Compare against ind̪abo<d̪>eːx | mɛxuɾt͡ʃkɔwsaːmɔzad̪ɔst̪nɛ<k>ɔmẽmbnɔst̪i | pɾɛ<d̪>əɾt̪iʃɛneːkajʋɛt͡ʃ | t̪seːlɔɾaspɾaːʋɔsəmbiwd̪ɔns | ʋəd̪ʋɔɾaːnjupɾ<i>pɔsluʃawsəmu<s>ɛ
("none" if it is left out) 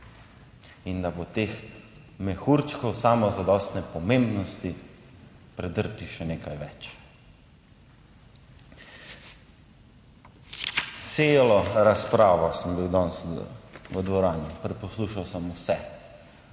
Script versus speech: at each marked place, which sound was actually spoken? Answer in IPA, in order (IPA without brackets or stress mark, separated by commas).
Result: t̪, p, d̪, ɛ, s